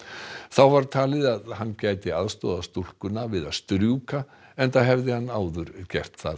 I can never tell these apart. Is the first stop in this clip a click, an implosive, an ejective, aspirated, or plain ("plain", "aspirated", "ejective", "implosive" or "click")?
aspirated